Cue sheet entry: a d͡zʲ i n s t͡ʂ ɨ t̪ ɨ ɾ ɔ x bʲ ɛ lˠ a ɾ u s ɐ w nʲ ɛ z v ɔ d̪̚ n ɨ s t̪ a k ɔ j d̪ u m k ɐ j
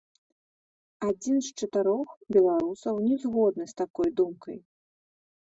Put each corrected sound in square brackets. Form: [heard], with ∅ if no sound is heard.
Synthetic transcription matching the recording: a d͡zʲ i n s t͡ʂ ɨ t̪ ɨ ɾ ɔ x bʲ ɛ lˠ a ɾ u s ɐ w nʲ ɛ z [ɣ] ɔ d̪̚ n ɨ s t̪ a k ɔ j d̪ u m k ɐ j